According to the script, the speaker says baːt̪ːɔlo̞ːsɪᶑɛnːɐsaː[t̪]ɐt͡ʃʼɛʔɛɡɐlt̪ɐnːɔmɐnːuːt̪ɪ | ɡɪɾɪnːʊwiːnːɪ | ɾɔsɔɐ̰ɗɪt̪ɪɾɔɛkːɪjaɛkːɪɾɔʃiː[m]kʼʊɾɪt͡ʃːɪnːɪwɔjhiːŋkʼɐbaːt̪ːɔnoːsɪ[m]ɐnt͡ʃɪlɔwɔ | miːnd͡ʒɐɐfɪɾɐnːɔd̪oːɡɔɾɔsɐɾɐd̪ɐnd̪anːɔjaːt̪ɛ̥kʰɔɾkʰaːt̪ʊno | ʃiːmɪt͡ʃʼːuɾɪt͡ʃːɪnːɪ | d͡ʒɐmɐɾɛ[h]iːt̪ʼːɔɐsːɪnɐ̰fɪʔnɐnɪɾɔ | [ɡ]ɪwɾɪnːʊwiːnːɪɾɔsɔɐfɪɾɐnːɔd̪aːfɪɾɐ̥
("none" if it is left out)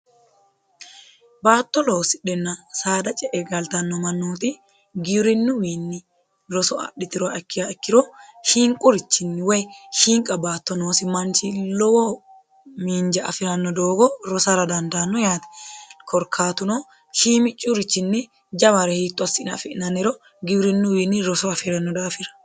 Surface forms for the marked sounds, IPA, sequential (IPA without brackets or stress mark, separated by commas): d̪, ŋ, m, h, ɡ